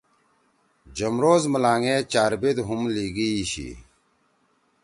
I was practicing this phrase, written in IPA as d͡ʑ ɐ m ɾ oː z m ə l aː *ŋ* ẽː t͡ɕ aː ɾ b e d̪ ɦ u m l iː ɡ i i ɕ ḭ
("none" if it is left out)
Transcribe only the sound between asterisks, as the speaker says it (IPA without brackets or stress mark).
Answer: ŋ